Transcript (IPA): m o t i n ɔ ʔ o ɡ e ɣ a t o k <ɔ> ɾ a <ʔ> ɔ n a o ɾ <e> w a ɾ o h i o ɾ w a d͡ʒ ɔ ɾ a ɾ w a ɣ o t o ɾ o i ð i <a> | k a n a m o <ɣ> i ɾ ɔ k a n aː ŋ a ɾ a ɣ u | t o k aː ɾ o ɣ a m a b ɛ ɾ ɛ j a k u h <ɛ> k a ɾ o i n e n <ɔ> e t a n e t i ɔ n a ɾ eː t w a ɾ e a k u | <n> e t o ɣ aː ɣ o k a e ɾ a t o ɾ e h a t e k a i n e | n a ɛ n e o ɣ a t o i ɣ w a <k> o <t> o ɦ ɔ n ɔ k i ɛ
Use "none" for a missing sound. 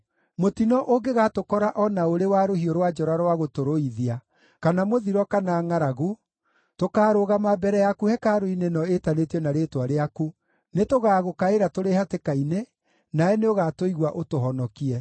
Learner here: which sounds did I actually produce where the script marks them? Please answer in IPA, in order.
ɔ, ʔ, e, a, ð, ɛ, ɔ, n, ʔ, t

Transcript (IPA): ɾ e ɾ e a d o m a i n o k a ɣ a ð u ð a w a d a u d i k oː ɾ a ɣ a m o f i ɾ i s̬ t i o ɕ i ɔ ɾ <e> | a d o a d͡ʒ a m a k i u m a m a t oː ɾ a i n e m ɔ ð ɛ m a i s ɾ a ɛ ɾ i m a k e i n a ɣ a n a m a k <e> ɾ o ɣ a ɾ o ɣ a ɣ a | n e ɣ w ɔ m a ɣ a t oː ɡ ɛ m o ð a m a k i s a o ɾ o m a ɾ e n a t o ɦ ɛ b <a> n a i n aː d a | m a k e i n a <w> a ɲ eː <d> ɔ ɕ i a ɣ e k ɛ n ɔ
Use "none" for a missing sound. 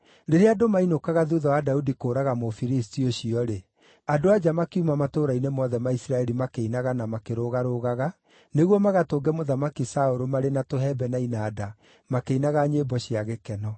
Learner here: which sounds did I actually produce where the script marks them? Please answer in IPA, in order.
e, e, ɛ, ɣ, b

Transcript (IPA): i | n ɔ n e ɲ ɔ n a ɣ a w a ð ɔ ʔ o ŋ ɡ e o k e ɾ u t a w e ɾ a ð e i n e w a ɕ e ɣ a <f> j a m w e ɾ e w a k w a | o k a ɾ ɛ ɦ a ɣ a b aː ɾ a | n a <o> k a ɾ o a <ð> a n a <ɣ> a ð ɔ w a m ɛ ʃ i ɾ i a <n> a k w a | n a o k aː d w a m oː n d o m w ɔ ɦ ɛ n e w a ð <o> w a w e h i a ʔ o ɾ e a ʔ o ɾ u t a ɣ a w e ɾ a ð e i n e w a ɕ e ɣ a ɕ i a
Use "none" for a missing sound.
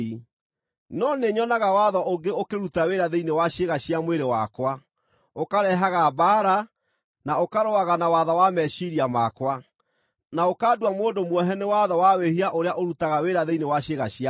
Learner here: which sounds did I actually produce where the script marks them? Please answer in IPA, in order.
ɕ, o, ɣ, w, m, ɔ

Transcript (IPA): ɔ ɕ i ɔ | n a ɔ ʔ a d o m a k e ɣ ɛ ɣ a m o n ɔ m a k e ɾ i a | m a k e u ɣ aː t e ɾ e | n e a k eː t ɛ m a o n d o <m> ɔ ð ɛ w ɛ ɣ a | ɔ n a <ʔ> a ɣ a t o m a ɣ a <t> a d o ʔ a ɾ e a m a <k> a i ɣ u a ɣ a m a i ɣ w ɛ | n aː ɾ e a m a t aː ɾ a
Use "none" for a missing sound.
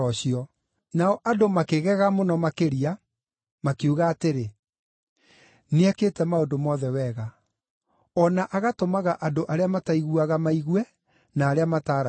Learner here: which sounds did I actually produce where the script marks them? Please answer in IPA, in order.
m, ʔ, ʔ, t

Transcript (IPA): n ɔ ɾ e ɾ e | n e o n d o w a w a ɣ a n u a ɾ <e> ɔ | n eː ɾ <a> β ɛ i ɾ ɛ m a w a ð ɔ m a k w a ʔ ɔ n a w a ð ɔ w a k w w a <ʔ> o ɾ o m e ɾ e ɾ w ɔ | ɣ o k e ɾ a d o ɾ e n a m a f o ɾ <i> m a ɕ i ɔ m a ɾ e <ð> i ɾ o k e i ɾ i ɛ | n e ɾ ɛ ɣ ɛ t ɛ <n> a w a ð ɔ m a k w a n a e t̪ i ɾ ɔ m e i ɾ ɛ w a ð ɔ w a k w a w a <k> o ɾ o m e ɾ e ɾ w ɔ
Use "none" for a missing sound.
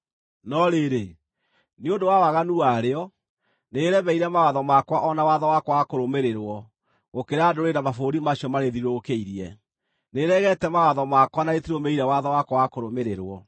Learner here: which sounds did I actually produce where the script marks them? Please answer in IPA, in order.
e, ɛ, k, i, ð, m, k

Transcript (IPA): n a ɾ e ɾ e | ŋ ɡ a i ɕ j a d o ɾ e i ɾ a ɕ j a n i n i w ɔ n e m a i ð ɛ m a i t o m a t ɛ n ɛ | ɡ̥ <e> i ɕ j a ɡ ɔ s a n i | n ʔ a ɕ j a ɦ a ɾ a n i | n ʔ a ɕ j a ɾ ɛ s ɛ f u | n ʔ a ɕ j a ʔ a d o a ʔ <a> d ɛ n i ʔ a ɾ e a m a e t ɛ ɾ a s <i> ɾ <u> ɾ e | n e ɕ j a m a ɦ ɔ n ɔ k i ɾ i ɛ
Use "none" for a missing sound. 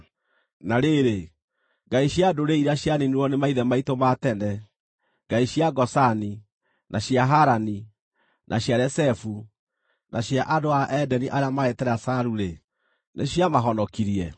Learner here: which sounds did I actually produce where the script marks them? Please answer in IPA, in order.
a, ɛ, a, u

